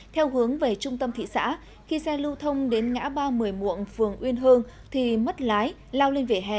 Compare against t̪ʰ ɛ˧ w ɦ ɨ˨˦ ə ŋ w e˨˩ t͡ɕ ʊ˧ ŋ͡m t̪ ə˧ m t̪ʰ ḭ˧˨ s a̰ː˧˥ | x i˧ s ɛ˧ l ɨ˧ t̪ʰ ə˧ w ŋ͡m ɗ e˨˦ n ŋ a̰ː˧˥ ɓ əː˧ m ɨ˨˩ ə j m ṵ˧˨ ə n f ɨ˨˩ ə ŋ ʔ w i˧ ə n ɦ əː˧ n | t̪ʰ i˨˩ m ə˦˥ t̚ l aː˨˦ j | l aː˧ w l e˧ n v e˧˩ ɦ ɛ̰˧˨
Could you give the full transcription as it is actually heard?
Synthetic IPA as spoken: t̪ʰ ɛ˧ w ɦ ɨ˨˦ ə ŋ v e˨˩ t͡ɕ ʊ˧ ŋ͡m t̪ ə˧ m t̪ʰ ḭ˧˨ s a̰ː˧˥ | x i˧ s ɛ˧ l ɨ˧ t̪ʰ ə˧ w ŋ͡m ɗ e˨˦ n ŋ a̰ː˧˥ ɓ aː˧ m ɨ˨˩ ə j m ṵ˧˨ ə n f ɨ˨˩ ə ŋ ʔ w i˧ ə n ɦ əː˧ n | t̪ʰ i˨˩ m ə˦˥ t̚ l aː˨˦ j | l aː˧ w l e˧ n v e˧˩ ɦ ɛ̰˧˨